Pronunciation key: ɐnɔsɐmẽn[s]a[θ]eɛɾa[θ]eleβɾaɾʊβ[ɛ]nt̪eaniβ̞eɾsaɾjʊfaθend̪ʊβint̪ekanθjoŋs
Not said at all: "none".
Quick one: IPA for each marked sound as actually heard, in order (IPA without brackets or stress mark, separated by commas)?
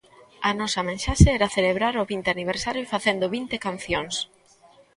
ʃ, ʃ, θ, i